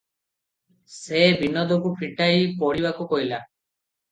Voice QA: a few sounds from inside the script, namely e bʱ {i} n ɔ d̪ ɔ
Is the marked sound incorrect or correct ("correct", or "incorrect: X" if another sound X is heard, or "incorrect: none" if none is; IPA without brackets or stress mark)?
correct